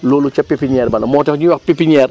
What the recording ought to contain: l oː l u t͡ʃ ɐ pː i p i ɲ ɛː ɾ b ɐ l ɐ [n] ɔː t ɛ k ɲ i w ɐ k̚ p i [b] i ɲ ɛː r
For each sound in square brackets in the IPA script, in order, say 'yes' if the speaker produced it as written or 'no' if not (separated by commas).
no, no